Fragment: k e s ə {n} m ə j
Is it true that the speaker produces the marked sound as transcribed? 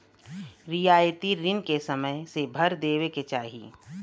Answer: no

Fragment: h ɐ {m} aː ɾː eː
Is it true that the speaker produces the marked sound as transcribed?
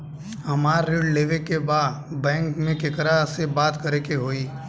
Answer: yes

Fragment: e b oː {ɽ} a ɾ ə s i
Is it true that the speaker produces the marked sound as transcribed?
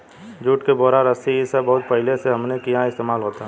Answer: no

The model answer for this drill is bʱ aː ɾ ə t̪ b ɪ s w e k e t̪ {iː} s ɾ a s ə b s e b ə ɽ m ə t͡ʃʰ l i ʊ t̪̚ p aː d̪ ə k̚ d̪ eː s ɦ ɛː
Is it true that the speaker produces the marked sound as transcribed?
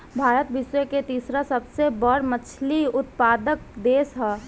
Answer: yes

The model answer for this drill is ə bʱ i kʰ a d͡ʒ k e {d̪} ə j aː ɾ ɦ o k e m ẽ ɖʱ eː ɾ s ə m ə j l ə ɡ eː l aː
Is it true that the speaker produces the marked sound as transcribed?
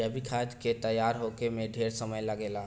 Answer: no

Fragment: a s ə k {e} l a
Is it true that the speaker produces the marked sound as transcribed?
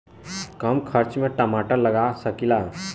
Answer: no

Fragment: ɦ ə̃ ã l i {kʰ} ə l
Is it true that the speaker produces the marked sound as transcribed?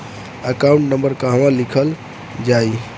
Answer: yes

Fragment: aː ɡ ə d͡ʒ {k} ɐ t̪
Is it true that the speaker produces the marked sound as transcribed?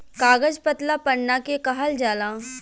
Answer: no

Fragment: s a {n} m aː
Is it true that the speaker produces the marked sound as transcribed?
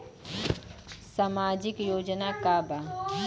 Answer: no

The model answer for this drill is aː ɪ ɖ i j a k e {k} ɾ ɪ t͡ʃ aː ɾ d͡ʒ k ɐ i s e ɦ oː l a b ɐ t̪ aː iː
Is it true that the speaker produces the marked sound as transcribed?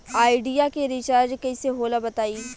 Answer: no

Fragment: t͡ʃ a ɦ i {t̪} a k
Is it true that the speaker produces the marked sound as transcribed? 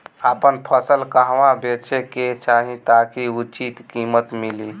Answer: yes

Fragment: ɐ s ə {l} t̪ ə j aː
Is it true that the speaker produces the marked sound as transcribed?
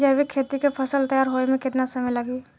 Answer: yes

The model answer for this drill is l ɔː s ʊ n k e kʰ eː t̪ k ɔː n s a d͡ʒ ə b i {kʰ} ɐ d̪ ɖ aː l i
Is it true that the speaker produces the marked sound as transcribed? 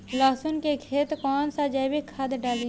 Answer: yes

